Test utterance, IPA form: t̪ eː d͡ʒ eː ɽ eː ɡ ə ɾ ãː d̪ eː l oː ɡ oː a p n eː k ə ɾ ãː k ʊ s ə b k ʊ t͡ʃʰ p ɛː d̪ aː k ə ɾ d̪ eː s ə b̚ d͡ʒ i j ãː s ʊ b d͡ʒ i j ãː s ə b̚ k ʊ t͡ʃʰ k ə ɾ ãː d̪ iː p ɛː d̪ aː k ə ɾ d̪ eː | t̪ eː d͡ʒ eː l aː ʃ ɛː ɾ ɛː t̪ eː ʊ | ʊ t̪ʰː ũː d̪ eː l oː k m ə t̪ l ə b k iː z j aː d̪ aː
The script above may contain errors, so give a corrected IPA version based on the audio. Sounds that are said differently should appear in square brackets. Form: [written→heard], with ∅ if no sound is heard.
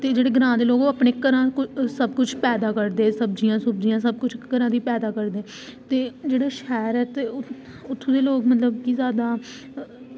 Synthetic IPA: t̪ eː d͡ʒ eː ɽ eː ɡ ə ɾ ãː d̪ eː l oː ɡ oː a p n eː k ə ɾ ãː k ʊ s ə b k ʊ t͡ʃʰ p ɛː d̪ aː k ə ɾ d̪ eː s ə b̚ d͡ʒ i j ãː s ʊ b d͡ʒ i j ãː s ə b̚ k ʊ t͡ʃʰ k ə ɾ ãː d̪ iː p ɛː d̪ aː k ə ɾ d̪ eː | t̪ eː d͡ʒ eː [l→ɽ] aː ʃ ɛː ɾ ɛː t̪ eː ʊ | ʊ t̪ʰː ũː d̪ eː l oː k m ə t̪ l ə b k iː z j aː d̪ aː